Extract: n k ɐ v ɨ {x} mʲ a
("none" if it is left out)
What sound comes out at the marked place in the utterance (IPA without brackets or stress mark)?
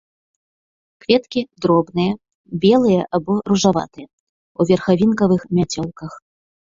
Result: x